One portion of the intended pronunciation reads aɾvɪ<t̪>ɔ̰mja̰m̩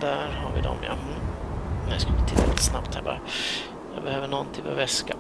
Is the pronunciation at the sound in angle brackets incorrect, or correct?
incorrect